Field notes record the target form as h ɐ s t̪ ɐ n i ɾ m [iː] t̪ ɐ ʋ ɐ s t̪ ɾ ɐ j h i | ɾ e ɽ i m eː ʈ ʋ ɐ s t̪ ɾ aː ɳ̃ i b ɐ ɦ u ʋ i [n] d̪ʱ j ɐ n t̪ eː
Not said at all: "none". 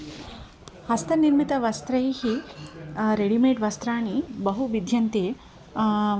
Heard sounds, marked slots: i, none

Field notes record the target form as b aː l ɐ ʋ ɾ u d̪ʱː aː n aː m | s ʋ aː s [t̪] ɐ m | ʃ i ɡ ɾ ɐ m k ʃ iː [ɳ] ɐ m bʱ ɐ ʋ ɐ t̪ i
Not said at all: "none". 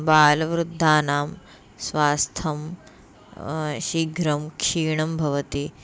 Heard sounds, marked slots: t̪ʰ, ɳ

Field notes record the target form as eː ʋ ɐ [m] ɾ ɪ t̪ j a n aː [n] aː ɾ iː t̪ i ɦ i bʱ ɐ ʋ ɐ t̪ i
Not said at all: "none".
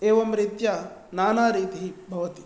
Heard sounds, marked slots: m, n

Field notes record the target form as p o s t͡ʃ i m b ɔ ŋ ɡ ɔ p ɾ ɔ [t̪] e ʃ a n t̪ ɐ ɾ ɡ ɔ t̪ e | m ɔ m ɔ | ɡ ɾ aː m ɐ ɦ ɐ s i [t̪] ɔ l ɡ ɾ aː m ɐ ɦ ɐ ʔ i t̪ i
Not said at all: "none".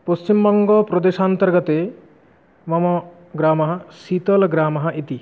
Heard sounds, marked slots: d̪, t̪

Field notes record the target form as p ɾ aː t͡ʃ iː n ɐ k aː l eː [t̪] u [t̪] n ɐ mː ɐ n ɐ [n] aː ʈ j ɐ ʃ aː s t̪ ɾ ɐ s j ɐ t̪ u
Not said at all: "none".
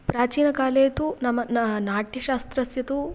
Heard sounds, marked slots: t̪, none, n

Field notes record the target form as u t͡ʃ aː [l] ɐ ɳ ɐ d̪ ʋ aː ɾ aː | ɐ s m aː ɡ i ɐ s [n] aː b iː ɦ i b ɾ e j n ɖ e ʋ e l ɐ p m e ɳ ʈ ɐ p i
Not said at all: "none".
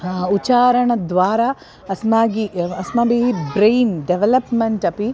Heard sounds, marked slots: ɾ, m

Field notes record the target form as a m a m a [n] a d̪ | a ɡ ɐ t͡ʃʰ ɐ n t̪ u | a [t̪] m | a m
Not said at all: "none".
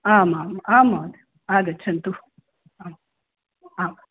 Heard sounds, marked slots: m, none

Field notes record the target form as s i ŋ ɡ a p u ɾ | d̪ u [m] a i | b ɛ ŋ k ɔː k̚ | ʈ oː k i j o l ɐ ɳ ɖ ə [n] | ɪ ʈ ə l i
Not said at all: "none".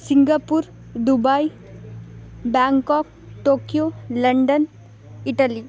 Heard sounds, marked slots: b, n

